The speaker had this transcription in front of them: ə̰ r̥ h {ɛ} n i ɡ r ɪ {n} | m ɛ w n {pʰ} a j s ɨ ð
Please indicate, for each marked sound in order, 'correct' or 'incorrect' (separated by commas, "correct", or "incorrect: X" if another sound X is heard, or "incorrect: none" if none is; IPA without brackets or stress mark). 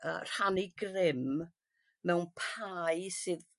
incorrect: a, incorrect: m, correct